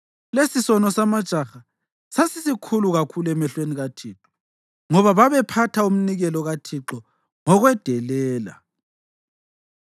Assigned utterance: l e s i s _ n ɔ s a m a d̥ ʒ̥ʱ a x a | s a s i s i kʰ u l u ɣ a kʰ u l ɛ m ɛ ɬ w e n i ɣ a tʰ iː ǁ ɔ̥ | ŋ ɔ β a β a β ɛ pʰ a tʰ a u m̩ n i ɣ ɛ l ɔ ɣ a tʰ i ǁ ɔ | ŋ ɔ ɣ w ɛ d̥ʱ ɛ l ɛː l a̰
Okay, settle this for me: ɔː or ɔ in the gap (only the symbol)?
ɔ